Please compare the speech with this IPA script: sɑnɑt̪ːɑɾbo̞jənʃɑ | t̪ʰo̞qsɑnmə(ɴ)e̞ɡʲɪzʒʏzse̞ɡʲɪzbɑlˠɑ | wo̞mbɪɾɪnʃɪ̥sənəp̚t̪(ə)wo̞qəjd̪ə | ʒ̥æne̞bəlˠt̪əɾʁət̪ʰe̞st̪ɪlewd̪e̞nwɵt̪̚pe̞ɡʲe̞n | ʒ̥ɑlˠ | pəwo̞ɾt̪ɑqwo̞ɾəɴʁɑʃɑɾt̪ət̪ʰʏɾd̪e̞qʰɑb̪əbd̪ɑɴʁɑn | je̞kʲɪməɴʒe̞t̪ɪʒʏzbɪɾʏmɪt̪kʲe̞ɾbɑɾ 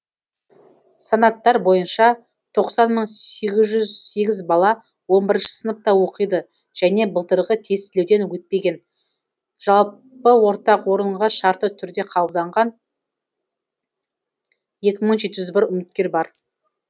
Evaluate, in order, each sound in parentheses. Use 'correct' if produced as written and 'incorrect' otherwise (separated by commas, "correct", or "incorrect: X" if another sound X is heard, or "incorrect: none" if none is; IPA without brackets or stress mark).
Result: correct, incorrect: ɑ